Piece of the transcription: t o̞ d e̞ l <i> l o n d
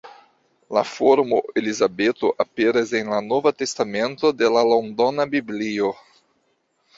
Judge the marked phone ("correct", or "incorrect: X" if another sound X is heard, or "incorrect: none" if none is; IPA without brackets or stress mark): incorrect: a